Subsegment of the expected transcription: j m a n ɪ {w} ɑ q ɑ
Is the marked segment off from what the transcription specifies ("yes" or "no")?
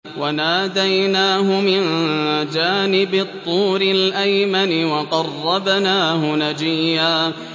no